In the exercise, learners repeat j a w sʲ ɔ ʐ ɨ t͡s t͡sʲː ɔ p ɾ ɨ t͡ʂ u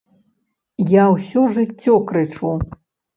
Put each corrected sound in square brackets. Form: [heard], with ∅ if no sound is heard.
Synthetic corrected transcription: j a w sʲ ɔ ʐ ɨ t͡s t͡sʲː ɔ [k] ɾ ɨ t͡ʂ u